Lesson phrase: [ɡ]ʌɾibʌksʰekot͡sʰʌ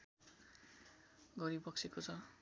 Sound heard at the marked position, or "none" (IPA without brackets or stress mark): ɡ